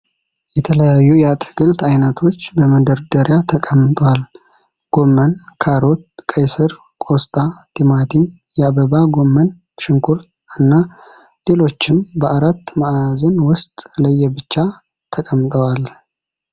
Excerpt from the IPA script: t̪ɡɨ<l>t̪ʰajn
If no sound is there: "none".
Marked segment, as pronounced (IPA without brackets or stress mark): l